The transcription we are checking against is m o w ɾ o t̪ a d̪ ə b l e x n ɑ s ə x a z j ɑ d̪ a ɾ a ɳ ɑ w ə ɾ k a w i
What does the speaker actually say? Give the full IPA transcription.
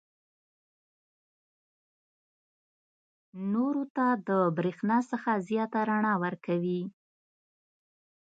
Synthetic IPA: n o ɾ o t̪ a d̪ ə b ɾ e x n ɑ s ə x a z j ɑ t̪ a ɾ a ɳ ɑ w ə ɾ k a w i